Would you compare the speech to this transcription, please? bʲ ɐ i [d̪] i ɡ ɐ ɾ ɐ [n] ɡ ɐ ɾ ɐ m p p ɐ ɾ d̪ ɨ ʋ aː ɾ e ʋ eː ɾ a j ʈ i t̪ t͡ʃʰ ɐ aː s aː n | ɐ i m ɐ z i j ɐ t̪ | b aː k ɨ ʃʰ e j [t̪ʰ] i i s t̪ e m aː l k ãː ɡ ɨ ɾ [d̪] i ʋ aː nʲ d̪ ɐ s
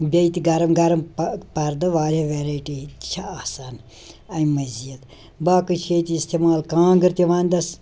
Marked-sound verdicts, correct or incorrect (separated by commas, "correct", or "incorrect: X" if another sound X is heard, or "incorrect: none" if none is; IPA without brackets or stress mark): incorrect: t̪, incorrect: m, incorrect: t̪, incorrect: t̪